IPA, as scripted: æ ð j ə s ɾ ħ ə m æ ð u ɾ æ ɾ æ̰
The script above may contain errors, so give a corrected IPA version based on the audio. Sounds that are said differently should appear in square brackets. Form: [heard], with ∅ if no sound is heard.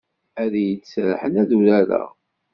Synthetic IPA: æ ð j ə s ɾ ħ ə [n] æ ð u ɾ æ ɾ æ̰